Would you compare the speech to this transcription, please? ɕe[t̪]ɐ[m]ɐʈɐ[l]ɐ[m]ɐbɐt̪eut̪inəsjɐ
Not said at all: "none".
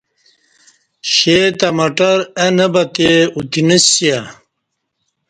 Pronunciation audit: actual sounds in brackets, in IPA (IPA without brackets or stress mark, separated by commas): t̪, m, ɾ, n